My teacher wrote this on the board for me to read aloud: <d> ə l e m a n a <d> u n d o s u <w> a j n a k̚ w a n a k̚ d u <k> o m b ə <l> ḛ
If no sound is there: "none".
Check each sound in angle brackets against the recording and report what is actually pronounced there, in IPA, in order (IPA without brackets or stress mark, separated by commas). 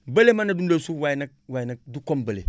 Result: b, d, w, k, l